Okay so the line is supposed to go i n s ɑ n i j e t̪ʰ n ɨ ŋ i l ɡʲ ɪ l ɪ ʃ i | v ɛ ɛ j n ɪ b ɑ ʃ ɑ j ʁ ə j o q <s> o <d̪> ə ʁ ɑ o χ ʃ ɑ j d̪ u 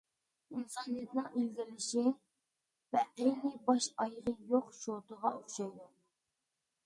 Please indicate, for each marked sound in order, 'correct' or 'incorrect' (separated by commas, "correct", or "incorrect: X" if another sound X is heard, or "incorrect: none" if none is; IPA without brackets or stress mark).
incorrect: ʃ, incorrect: t̪